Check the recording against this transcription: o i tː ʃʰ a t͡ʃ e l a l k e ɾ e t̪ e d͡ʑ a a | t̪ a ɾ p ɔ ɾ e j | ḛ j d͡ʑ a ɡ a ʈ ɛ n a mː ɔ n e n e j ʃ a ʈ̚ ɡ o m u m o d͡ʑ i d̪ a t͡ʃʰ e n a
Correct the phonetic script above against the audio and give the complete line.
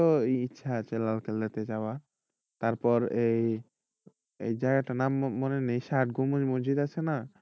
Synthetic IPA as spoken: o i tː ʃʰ a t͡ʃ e l a l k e l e t̪ e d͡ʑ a a | t̪ a ɾ p ɔ ɾ e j | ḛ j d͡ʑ a ɡ a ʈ a n a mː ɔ n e n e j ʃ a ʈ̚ ɡ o m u m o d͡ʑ i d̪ a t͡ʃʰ e n a